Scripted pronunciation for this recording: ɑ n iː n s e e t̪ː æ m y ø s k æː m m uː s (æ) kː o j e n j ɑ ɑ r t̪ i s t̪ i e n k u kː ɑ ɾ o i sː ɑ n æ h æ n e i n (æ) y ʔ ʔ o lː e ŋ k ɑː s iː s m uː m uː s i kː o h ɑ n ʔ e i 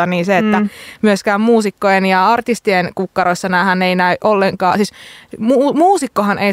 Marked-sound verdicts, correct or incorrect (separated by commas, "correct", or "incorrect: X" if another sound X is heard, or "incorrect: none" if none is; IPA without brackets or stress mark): incorrect: i, correct